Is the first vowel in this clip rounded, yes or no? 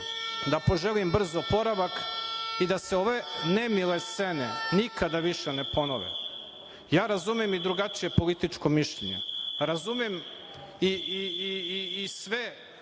no